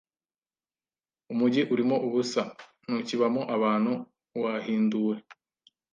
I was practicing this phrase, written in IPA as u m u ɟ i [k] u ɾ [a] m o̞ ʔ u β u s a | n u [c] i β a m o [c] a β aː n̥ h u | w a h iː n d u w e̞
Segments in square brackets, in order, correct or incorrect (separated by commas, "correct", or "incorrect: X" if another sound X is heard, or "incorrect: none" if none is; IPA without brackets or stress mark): incorrect: ʔ, incorrect: i, correct, incorrect: ʔ